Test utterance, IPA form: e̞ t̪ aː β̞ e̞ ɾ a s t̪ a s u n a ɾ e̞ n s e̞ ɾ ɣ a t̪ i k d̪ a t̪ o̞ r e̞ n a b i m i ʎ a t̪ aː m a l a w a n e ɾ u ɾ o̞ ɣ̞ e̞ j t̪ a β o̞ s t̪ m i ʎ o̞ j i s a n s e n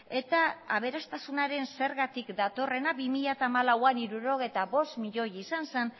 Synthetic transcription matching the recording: e̞ t̪ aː β̞ e̞ ɾ a s t̪ a s u n a ɾ e̞ n s e̞ ɾ ɣ a t̪ i k d̪ a t̪ o̞ r e̞ n a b i m i ʎ a t̪ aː m a l a w a n i ɾ u ɾ o̞ ɣ̞ e̞ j t̪ a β o̞ s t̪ m i ʎ o̞ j i s a n s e n